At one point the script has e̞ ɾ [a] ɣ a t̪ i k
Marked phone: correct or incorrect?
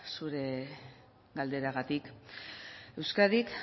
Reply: correct